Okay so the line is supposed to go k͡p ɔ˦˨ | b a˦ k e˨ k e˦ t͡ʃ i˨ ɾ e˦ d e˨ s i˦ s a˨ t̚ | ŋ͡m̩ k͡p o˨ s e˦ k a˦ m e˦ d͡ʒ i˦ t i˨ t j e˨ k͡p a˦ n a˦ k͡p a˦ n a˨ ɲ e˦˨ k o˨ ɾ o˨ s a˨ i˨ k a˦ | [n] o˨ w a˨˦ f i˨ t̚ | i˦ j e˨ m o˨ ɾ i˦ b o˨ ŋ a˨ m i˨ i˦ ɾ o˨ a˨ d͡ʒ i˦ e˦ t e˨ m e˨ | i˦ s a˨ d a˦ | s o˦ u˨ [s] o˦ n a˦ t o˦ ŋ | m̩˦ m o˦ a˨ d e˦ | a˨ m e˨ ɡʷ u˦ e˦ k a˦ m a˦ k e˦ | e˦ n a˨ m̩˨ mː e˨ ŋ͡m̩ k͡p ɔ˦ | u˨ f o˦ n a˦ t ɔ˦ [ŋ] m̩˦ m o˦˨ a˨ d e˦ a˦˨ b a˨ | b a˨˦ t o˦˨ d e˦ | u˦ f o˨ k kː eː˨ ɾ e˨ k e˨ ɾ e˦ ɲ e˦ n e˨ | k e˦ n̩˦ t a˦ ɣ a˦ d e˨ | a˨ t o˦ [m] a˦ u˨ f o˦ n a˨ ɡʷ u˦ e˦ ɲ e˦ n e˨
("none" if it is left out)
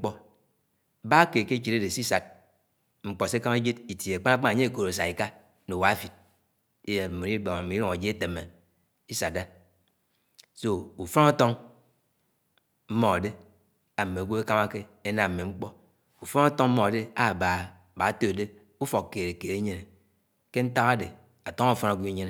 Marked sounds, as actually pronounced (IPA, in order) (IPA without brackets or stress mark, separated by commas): n, f, ŋ, ŋ